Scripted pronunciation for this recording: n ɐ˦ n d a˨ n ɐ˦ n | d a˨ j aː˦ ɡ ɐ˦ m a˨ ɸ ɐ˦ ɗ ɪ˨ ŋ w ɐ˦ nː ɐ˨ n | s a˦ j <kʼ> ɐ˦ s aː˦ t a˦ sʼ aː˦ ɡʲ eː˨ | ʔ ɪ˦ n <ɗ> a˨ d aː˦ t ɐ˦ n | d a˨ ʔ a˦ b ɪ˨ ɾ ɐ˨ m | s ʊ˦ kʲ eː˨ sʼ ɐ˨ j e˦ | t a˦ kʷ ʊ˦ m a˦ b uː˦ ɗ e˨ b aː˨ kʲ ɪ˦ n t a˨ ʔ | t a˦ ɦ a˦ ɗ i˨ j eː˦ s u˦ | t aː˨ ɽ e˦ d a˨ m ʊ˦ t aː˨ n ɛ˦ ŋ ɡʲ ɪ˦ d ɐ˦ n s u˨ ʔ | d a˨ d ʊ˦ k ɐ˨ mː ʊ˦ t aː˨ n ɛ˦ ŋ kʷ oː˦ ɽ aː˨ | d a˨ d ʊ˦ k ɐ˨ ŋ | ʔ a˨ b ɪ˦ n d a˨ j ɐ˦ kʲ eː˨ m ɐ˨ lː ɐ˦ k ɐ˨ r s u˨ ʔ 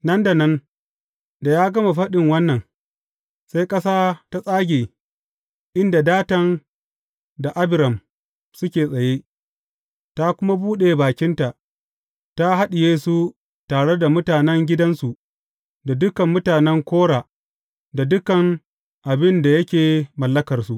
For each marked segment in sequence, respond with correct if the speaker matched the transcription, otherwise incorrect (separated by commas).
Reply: correct, incorrect